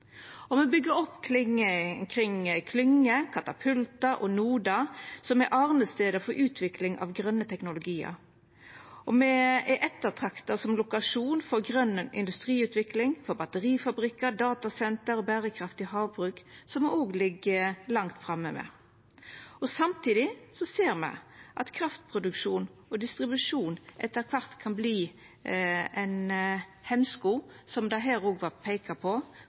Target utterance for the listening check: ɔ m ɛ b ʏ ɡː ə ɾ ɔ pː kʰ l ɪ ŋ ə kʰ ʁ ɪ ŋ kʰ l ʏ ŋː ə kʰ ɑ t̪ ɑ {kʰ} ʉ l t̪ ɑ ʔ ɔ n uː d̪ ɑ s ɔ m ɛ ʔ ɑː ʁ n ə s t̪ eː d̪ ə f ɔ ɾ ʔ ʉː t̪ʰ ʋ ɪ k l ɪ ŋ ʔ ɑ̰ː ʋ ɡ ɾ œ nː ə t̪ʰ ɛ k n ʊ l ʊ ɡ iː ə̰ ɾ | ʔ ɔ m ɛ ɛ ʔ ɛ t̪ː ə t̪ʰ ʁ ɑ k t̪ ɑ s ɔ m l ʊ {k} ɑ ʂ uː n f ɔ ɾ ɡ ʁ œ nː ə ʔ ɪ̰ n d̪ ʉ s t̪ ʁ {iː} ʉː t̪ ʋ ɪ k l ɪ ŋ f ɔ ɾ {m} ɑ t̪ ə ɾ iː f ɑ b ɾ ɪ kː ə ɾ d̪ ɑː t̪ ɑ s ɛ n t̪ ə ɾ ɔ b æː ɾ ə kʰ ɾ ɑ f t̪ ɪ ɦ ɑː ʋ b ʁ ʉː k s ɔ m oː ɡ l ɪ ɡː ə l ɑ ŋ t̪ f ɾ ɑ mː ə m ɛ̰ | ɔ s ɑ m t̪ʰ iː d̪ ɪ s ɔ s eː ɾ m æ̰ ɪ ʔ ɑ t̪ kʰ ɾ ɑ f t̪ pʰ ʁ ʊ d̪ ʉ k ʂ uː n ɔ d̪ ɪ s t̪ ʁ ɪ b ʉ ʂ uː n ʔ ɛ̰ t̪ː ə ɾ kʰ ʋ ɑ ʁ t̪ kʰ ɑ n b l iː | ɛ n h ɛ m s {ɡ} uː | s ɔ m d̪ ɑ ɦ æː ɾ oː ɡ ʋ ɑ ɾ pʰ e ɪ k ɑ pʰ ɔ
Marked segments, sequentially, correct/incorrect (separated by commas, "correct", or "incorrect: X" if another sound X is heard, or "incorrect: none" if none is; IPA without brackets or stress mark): incorrect: pʰ, correct, correct, incorrect: b, incorrect: k